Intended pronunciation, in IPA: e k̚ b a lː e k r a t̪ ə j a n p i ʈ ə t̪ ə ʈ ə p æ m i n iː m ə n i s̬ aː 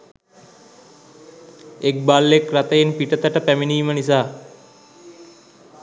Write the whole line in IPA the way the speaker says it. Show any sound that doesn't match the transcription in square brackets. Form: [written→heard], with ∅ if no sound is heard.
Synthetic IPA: e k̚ b a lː e k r a t̪ ə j [a→e] n p i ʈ ə t̪ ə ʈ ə p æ m i n iː m ə n i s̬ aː